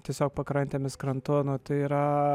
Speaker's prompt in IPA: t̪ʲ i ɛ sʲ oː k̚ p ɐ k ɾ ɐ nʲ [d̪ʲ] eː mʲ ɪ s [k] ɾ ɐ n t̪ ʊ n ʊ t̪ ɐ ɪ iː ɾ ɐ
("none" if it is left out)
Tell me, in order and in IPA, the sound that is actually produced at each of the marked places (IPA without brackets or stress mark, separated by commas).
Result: t̪ʲ, k